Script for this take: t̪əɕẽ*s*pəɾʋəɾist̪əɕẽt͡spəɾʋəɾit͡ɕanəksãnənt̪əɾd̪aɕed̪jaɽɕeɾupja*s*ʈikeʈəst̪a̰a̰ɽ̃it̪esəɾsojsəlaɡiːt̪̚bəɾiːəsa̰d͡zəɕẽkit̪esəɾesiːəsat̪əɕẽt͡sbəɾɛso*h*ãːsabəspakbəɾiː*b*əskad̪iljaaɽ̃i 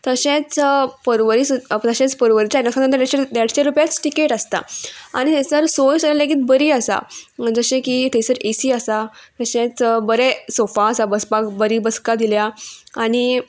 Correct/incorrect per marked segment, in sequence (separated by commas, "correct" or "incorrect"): incorrect, incorrect, incorrect, correct